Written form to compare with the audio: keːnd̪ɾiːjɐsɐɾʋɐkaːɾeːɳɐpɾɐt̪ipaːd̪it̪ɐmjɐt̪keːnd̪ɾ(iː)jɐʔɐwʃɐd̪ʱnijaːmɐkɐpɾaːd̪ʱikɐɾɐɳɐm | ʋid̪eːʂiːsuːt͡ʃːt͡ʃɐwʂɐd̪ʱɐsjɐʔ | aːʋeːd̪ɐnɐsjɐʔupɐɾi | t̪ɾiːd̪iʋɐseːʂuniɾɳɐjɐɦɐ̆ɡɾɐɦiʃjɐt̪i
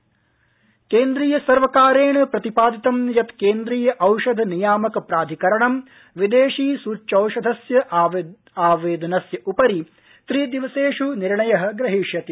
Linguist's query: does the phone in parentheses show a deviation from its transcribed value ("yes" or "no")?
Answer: no